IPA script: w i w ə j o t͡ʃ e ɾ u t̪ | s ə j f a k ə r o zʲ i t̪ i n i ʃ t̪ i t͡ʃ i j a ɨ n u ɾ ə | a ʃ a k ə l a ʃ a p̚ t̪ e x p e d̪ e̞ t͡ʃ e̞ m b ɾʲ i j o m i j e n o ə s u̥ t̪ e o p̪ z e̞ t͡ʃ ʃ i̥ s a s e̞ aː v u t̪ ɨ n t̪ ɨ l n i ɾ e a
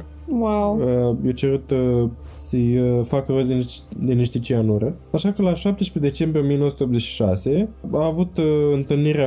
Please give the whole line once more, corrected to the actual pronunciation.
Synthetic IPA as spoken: w a w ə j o t͡ʃ e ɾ u t̪ | s ə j f a k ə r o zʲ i d̪ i n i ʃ t̪ i t͡ʃ i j a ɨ n u ɾ ə | a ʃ a k ə l a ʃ a p̚ t̪ e ʃ p e d̪ e̞ t͡ʃ e̞ m b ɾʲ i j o m i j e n o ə s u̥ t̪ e o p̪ z e̞ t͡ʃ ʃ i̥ ʃ a s e̞ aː v u t̪ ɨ n t̪ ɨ l n i ɾ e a